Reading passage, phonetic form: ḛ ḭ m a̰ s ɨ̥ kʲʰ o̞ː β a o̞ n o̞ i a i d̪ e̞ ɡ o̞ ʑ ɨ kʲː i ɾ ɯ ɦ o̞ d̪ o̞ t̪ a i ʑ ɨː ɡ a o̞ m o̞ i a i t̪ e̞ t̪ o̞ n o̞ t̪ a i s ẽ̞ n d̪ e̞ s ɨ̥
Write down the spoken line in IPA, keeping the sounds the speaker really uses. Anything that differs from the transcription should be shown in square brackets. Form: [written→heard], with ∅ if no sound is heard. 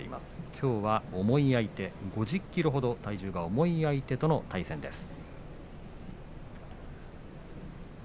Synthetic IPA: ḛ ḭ m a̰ s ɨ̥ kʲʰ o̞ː β a o̞ [n→m] o̞ i a i [d̪→t̪] e̞ ɡ o̞ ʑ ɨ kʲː i ɾ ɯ ɦ o̞ d̪ o̞ t̪ a i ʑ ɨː ɡ a o̞ m o̞ i a i t̪ e̞ t̪ o̞ n o̞ t̪ a i s ẽ̞ n d̪ e̞ s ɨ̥